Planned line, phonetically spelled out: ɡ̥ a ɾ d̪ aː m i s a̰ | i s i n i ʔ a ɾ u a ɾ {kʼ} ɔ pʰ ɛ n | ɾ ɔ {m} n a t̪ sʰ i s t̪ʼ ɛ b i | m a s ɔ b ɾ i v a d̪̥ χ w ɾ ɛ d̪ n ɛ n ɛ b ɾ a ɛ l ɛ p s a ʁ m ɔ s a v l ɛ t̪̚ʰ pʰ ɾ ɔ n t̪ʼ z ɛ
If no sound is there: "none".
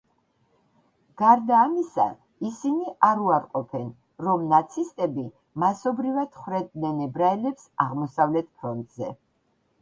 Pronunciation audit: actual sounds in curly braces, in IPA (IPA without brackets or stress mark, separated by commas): qʼ, m